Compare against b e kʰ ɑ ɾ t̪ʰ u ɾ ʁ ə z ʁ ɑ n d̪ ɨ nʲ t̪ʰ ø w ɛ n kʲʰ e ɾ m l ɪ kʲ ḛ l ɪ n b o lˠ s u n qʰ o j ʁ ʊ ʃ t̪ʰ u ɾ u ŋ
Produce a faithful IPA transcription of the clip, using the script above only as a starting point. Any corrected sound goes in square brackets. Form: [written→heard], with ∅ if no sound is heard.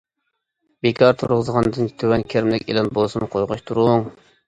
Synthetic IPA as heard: b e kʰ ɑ ɾ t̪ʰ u ɾ ʁ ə z ʁ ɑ n d̪ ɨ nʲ t̪ʰ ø w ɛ n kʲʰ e ɾ m l ɪ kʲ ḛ l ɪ n b o lˠ s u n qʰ o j ʁ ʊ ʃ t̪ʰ u ɾ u ŋ